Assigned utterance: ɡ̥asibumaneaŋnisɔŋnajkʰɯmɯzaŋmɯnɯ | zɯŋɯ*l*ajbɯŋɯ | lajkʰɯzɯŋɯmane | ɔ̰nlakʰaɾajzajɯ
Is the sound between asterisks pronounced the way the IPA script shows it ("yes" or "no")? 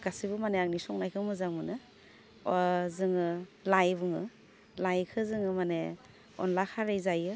yes